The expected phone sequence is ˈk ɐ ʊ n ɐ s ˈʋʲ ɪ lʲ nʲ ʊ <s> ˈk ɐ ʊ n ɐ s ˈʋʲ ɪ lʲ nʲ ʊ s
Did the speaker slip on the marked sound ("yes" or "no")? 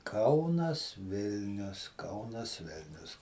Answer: no